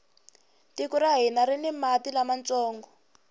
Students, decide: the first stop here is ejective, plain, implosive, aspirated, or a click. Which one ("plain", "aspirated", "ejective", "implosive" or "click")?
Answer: plain